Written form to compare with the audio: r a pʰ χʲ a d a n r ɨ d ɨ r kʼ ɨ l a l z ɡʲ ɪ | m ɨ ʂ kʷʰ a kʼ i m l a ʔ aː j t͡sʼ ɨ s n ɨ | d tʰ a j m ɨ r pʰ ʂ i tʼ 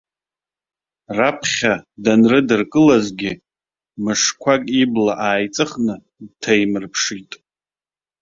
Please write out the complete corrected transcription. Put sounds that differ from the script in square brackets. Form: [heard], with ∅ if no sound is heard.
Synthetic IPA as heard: r a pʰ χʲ a d a n r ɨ d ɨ r kʼ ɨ l a [∅] z ɡʲ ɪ | m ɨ ʂ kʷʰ a kʼ i [b] l a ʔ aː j t͡sʼ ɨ [χ] n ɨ | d tʰ a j m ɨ r pʰ ʂ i tʼ